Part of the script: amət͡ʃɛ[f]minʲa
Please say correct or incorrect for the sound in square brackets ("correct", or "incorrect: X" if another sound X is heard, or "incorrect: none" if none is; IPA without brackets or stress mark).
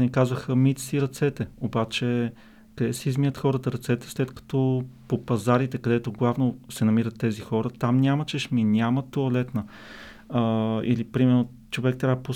incorrect: ʃ